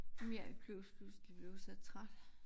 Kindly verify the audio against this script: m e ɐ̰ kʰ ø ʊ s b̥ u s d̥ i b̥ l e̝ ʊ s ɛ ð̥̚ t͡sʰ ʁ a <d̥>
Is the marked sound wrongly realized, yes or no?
no